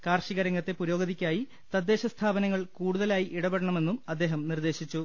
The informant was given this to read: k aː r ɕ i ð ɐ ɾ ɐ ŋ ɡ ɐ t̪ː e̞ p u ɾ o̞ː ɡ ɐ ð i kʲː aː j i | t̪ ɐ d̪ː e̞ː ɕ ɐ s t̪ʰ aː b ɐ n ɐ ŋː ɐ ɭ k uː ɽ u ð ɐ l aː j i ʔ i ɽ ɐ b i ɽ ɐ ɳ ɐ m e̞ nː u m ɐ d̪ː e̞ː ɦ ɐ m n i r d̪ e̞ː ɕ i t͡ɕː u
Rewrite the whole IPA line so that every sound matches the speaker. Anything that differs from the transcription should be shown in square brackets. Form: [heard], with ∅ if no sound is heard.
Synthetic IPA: k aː r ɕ i [ɣ] ɐ ɾ ɐ ŋ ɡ ɐ t̪ː e̞ p u ɾ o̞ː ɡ ɐ ð i kʲː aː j i | t̪ ɐ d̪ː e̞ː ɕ ɐ s t̪ʰ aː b ɐ n ɐ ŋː ɐ ɭ k uː ɽ u ð ɐ l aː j i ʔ i ɽ ɐ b [e] ɽ ɐ ɳ ɐ m e̞ nː u m ɐ d̪ː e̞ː ɦ ɐ m n i r d̪ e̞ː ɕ i t͡ɕː u